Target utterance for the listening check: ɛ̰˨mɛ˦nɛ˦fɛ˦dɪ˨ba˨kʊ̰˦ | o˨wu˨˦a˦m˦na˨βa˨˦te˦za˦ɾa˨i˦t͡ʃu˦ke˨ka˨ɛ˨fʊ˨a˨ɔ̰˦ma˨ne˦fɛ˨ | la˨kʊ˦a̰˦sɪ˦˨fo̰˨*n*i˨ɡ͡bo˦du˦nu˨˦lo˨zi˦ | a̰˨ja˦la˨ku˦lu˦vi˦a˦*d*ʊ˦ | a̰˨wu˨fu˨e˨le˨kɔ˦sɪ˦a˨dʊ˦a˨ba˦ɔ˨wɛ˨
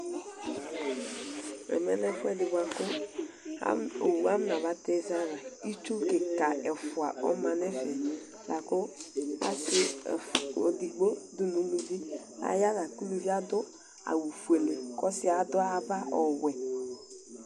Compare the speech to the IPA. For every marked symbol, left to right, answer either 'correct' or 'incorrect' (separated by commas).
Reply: incorrect, correct